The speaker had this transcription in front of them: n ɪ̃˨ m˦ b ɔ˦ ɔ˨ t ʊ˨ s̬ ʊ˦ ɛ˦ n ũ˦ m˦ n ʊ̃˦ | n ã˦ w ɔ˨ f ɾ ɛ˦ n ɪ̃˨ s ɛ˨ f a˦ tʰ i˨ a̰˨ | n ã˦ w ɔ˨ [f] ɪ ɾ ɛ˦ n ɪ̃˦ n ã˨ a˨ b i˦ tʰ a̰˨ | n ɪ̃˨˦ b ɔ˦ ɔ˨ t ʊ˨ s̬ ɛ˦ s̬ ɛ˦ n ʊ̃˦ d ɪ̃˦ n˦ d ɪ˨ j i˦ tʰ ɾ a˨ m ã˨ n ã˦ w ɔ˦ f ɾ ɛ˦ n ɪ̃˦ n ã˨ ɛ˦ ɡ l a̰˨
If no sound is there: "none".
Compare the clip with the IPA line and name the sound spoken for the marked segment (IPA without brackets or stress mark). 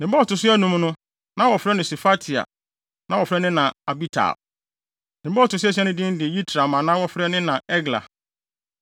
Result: f